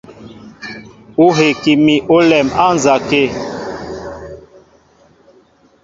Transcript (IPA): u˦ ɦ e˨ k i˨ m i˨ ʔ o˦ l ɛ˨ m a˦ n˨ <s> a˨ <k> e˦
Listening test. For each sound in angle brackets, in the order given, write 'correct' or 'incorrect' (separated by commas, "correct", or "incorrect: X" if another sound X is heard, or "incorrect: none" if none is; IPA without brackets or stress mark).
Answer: incorrect: z, correct